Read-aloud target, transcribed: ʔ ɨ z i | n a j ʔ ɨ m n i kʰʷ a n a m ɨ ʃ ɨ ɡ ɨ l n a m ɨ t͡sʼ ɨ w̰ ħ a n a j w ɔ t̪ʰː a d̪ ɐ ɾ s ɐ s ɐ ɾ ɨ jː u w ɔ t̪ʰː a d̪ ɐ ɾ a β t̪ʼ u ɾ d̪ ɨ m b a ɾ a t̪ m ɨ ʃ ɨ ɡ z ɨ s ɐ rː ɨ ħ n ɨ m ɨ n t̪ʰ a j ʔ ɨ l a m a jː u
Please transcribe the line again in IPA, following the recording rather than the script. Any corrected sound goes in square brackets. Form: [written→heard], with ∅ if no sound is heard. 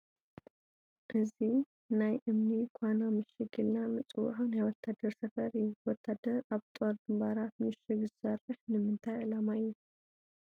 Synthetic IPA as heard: ʔ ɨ z i | n a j ʔ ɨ m n i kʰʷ a n a m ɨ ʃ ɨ ɡ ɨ l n a m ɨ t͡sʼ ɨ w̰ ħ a n a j w ɔ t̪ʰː a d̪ ɐ ɾ s ɐ [s→f] ɐ ɾ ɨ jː u w ɔ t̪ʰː a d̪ ɐ ɾ a β t̪ʼ [u→o] ɾ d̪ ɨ m b a ɾ a t̪ m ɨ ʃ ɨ ɡ z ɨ s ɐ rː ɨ ħ n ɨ m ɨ n t̪ʰ a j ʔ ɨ l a m a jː u